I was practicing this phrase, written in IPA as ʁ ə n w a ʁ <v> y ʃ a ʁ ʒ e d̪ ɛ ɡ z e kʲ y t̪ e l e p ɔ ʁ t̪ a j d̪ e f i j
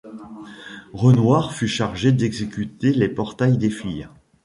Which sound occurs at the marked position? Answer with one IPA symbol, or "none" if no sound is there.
f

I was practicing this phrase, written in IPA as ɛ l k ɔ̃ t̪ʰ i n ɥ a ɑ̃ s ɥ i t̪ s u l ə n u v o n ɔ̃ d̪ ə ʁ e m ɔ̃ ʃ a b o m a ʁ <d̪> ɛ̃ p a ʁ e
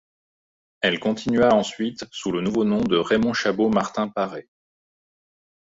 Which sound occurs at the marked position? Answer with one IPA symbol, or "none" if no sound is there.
t̪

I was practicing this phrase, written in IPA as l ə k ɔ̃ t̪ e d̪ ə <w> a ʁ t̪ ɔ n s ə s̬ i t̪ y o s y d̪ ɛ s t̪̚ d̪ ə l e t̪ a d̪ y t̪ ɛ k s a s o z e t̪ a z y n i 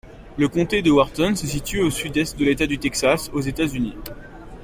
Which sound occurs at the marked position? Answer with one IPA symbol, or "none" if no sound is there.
w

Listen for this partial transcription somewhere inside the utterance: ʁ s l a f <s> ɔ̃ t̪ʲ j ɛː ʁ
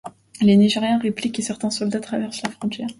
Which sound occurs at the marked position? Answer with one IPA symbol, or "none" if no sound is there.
χ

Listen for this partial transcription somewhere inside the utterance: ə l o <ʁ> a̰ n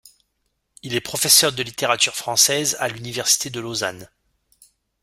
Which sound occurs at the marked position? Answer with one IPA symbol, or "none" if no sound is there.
z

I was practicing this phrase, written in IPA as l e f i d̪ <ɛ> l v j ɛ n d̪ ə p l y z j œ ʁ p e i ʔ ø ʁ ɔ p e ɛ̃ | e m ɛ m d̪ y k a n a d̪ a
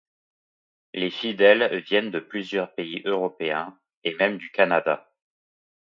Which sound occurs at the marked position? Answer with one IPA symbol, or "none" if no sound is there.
ɛ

